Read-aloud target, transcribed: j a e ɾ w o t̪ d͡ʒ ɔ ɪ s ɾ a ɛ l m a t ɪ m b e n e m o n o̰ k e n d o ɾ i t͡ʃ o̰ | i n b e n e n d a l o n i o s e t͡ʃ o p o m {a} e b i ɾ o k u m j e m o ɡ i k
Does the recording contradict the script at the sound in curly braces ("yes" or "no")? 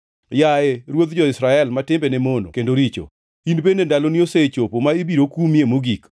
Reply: no